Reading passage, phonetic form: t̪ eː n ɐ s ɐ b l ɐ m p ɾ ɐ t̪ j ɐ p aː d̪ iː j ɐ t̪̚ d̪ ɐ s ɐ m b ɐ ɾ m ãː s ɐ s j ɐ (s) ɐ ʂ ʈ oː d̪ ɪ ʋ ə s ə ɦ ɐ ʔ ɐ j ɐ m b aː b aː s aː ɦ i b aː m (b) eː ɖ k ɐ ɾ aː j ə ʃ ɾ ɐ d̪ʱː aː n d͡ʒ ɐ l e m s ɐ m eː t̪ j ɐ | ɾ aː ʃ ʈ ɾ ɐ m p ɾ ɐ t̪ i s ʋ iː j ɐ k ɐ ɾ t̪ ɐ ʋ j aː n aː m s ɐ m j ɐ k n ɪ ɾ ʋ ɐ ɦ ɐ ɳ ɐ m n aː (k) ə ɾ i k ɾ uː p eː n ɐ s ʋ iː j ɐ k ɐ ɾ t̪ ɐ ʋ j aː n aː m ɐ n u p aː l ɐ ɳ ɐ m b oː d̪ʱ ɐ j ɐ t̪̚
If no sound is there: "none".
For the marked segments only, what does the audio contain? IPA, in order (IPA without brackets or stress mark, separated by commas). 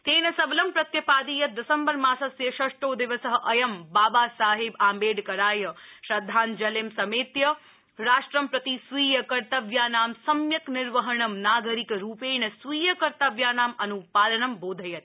ʃ, b, ɡ